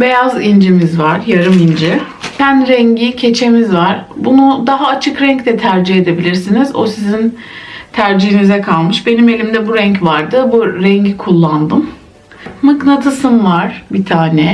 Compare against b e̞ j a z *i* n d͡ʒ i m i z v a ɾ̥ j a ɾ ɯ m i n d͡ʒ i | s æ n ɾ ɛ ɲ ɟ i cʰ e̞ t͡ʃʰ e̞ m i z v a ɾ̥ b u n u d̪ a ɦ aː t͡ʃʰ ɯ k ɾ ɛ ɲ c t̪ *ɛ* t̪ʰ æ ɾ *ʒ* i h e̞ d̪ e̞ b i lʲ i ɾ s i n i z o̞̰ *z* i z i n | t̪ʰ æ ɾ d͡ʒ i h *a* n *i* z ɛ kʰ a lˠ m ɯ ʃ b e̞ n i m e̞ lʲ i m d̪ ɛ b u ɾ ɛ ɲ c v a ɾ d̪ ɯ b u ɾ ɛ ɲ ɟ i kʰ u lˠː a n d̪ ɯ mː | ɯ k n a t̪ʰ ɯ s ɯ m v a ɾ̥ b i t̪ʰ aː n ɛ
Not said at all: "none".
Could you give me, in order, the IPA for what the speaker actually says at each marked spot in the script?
i, ɛ, d͡ʒ, s, i, i

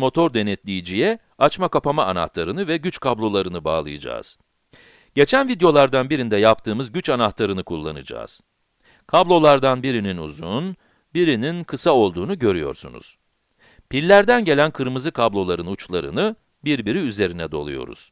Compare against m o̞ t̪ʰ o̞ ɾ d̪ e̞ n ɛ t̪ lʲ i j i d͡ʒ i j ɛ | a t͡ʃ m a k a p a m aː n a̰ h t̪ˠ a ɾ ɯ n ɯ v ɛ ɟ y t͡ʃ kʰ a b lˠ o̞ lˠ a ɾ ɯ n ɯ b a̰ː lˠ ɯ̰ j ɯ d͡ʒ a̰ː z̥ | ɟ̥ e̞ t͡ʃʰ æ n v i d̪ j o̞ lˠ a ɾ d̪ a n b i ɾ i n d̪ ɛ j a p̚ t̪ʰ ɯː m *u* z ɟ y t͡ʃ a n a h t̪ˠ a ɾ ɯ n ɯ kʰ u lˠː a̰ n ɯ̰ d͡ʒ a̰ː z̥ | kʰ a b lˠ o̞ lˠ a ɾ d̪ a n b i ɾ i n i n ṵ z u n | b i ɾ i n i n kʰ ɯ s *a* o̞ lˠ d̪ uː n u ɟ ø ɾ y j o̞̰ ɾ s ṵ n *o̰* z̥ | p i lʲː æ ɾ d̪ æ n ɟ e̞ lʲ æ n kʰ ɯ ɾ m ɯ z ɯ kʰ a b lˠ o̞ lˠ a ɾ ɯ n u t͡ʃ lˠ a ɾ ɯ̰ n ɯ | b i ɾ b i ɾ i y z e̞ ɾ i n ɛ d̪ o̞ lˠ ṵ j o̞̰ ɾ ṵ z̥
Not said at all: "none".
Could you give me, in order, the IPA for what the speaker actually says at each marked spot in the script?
ɯ, a, ṵ

